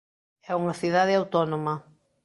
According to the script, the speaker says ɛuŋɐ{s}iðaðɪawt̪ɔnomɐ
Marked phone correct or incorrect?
incorrect